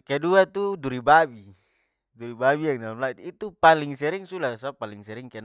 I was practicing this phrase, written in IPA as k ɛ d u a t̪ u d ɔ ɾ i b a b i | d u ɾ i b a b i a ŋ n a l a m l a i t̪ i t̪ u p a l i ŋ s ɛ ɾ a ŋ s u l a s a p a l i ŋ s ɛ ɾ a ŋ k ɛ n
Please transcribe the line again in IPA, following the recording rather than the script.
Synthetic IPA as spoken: k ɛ d u a t̪ u d u ɾ i b a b i | d u ɾ i b a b i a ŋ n a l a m l a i t̪ i t̪ u p a l i ŋ s ɛ ɾ i ŋ s u l a s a p a l i ŋ s ɛ ɾ i ŋ k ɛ n